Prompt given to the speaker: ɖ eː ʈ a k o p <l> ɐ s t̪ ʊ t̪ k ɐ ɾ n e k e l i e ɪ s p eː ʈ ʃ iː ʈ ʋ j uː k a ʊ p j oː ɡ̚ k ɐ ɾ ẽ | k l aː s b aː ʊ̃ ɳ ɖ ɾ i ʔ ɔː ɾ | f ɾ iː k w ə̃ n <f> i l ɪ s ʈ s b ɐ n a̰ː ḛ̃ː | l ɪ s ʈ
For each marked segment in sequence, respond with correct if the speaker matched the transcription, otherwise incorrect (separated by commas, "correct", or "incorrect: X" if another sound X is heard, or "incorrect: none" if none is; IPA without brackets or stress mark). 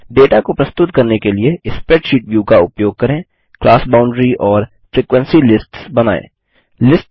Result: incorrect: ɾ, incorrect: s